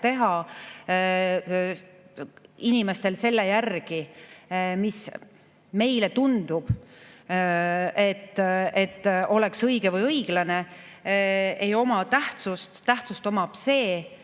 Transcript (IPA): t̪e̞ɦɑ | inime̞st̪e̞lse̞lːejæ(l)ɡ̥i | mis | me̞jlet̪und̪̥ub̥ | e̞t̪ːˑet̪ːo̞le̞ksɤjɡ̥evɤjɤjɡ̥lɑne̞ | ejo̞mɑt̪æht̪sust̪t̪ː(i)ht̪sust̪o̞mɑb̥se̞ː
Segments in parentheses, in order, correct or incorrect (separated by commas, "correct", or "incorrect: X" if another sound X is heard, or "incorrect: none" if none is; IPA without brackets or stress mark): incorrect: r, incorrect: æ